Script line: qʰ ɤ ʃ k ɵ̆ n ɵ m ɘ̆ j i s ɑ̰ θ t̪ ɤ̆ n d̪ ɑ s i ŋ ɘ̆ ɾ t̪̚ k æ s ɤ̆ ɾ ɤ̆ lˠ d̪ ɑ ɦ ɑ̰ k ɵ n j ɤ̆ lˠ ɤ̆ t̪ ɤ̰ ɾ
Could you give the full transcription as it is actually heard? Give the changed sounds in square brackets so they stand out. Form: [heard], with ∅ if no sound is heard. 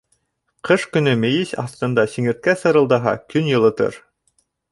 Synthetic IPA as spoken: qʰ ɤ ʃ k ɵ̆ n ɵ m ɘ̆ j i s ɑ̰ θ t̪ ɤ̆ n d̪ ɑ s i ŋ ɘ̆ ɾ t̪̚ k æ s ɤ̆ ɾ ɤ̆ lˠ d̪ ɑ ɦ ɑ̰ k ɵ n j ɤ̆ lˠ ɤ̆ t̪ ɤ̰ ɾ